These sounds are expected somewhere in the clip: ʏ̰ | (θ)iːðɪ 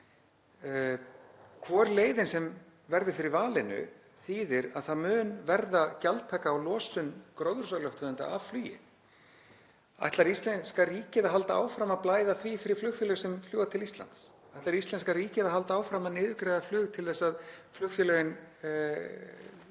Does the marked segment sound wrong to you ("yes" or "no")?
no